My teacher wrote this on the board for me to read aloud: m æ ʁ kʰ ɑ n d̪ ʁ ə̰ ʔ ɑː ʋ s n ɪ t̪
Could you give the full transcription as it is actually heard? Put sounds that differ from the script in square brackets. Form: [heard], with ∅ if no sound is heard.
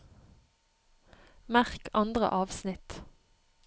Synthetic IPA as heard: m æ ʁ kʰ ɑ n d̪ ʁ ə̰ ʔ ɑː ʋ s n ɪ t̪